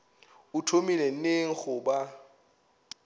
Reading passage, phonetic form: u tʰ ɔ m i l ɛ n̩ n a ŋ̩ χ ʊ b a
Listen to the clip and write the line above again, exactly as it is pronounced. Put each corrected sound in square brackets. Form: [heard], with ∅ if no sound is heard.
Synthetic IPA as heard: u tʰ [o] m i l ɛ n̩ n [e] ŋ̩ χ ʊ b a